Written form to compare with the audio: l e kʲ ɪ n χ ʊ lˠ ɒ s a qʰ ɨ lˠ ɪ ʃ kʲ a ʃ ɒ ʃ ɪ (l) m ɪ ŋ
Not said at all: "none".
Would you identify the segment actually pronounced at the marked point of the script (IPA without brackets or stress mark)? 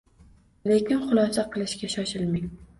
l